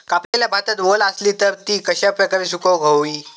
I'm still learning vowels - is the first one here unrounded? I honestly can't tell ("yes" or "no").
yes